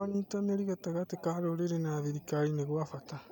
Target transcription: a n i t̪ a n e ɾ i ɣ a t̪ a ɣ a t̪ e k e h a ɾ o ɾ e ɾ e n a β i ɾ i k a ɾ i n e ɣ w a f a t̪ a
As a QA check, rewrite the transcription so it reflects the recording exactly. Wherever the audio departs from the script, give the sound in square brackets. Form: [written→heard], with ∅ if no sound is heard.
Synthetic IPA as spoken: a n i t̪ a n e ɾ i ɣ a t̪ a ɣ a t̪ e k [e→a] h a ɾ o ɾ e ɾ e n a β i ɾ i k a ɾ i n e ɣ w a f a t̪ a